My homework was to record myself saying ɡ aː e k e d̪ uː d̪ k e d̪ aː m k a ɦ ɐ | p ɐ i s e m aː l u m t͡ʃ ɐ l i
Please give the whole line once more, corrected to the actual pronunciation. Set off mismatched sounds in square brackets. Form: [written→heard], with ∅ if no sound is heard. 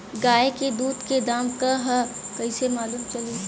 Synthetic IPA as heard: ɡ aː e k e d̪ uː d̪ k e d̪ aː m k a ɦ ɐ | [p→k] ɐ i s e m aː l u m t͡ʃ ɐ l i